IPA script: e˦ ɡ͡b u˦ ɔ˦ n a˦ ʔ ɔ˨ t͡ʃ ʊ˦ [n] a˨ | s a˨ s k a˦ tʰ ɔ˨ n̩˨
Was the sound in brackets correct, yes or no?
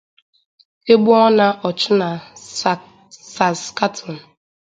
yes